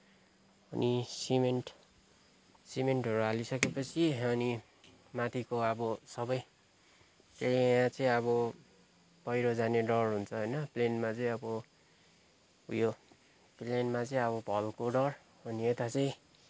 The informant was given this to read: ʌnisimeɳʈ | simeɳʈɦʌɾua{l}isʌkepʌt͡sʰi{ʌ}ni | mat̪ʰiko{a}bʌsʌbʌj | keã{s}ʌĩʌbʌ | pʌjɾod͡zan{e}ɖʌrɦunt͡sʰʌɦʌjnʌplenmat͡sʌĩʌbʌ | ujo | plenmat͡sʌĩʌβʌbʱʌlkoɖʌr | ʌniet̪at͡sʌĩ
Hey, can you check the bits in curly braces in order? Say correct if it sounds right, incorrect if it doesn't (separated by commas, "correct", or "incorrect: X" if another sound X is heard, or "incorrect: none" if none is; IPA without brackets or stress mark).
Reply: correct, correct, incorrect: ʌ, incorrect: t͡s, correct